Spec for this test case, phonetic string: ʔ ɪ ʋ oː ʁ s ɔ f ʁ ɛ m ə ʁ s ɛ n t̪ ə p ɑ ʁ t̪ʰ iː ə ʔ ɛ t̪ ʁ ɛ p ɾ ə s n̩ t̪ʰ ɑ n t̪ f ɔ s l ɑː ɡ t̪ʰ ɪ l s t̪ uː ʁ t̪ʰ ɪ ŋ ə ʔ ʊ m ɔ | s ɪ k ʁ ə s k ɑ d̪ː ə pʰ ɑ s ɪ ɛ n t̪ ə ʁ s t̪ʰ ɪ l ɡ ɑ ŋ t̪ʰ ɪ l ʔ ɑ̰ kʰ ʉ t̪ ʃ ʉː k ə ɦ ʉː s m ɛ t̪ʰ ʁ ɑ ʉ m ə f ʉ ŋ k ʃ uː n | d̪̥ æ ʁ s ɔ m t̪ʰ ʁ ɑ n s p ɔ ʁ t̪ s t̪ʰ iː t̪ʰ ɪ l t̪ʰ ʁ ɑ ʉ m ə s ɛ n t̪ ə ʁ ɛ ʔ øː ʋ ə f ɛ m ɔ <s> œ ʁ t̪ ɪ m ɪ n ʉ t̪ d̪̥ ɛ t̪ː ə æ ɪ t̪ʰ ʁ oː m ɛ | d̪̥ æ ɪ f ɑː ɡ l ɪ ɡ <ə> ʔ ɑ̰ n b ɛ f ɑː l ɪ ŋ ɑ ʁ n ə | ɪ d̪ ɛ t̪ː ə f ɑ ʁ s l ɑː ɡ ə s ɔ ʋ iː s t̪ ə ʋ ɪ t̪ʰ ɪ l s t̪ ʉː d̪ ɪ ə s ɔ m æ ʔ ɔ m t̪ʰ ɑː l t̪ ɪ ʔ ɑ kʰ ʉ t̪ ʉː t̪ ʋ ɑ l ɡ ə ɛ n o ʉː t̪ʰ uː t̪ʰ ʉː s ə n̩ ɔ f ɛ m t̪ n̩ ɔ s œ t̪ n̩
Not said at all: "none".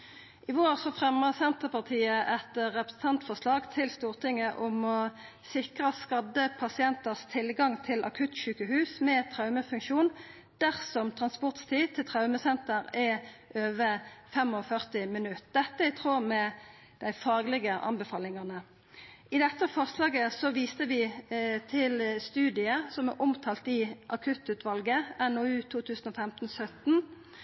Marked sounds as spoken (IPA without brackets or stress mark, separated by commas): f, ə